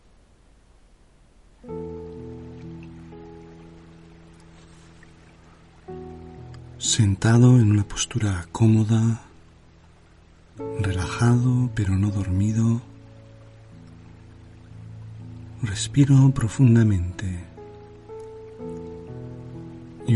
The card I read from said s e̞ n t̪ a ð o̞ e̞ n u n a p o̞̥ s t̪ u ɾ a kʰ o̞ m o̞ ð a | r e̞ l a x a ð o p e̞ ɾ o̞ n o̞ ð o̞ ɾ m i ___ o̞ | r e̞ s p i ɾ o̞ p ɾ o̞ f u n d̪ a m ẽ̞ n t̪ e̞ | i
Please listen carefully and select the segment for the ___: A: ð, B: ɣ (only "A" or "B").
A